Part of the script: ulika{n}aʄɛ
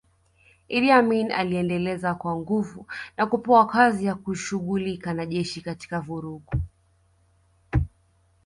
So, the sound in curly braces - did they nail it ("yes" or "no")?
yes